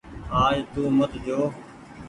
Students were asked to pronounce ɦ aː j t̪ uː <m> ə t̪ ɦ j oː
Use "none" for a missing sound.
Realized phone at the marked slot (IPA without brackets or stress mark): m